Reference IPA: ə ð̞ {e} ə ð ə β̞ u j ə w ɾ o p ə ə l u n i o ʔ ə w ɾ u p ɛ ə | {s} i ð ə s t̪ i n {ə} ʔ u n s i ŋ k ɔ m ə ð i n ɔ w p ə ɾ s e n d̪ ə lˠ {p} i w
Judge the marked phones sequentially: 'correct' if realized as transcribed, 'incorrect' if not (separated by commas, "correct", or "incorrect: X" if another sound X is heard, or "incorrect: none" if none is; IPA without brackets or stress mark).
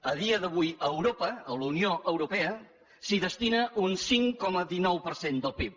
incorrect: i, correct, correct, correct